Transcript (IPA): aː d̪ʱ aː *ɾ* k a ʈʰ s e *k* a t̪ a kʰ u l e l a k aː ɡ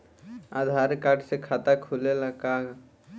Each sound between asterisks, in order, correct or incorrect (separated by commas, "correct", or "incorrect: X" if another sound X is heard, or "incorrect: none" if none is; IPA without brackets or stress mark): correct, incorrect: kʰ